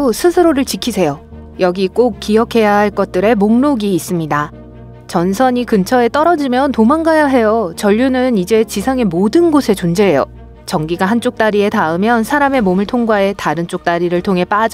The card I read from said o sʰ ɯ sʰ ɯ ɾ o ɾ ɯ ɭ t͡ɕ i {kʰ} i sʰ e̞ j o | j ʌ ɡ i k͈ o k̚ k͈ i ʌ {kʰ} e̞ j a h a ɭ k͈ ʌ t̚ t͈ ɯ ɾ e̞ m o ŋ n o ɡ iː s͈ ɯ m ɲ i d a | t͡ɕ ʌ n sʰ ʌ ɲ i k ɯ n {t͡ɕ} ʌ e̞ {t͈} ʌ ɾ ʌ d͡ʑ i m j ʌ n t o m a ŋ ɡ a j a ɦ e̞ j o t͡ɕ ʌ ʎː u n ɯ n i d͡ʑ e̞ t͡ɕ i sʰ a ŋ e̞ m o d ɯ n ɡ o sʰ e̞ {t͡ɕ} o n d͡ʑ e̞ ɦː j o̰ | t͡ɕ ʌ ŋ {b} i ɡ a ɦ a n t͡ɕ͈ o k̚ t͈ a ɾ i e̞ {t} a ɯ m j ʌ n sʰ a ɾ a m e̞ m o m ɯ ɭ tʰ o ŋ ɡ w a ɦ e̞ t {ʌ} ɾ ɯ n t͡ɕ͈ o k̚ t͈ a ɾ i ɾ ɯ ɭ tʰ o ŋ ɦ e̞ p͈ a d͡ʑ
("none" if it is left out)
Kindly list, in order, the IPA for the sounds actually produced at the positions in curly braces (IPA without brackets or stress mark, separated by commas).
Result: kʰ, kʰ, t͡ɕʰ, t͈, t͡ɕ, ɡ, t, a